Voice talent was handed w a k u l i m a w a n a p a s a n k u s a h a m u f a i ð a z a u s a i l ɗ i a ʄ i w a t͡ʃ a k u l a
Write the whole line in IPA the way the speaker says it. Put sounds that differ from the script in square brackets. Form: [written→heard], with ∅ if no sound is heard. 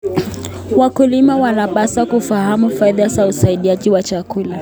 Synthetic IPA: w a k u l i m a w a n a p a s a [n→∅] k u [s→f] a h a m u f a i ð a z a u s a i [l→∅] ɗ i a ʄ i w a t͡ʃ a k u l a